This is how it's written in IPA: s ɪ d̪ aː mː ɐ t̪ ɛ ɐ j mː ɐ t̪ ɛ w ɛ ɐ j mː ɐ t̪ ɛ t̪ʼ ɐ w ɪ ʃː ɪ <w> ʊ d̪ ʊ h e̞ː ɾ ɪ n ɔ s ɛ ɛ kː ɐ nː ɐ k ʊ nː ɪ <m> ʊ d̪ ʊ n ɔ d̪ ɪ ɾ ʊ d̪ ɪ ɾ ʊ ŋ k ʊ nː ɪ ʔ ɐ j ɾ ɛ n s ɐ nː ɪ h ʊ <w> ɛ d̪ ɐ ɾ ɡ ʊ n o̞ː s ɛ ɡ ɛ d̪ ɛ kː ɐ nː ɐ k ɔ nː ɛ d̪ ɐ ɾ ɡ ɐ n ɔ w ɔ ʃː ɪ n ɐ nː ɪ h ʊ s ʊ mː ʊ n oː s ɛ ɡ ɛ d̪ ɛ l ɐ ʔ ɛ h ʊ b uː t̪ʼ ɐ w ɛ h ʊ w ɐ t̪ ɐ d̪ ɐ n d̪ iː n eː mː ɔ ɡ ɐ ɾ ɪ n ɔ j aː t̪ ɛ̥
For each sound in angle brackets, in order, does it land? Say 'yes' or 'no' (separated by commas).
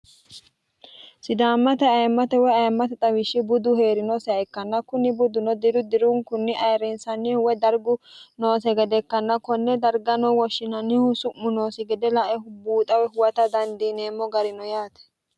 no, no, yes